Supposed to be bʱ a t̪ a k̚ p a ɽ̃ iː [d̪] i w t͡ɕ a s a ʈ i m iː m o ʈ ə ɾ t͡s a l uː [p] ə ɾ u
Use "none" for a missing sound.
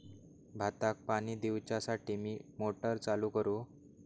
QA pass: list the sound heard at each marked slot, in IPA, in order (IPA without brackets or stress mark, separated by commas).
d̪, k